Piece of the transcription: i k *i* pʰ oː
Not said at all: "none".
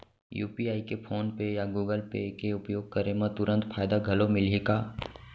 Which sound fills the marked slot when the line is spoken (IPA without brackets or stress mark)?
e